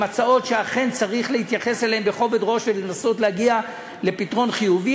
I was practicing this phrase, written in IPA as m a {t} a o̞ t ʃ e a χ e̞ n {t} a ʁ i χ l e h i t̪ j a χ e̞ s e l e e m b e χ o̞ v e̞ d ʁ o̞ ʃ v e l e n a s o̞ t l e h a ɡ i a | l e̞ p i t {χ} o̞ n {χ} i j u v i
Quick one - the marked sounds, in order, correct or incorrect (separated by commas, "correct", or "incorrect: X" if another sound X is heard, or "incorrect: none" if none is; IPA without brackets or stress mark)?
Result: incorrect: t͡s, incorrect: t͡s, incorrect: ʁ, correct